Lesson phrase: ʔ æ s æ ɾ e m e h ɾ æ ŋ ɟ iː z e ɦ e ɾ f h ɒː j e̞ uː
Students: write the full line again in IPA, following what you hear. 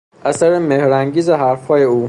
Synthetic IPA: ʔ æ s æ ɾ e m e h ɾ æ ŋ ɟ iː z e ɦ æ ɾ f h ɒː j e̞ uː